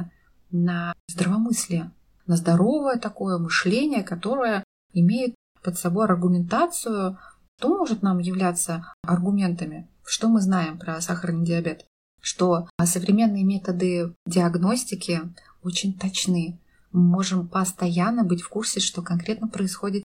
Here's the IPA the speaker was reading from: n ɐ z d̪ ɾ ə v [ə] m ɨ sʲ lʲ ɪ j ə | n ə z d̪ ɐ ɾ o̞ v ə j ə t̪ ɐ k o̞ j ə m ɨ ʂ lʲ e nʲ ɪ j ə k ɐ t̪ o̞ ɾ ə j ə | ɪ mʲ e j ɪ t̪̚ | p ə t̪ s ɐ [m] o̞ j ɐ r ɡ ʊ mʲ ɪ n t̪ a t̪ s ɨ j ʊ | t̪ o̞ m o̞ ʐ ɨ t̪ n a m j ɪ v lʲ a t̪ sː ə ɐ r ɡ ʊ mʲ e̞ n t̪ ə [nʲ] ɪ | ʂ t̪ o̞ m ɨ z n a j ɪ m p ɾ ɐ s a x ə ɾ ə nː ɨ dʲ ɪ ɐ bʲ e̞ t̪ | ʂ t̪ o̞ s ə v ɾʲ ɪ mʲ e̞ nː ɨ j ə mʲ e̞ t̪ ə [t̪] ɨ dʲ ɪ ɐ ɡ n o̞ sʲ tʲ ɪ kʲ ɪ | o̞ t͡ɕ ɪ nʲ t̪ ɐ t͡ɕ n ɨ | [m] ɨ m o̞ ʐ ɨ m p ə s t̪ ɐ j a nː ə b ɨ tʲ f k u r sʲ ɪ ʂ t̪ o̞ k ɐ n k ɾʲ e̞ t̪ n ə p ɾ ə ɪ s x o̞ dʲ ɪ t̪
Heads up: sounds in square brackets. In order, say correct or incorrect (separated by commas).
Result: incorrect, incorrect, incorrect, incorrect, correct